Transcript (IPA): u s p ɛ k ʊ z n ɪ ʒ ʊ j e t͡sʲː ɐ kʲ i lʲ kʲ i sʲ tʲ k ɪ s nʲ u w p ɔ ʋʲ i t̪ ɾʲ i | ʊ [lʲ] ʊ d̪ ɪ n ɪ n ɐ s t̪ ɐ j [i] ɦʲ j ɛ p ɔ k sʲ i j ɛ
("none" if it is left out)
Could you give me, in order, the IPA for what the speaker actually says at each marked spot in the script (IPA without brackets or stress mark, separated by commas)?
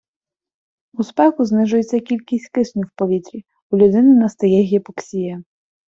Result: lʲ, ɛ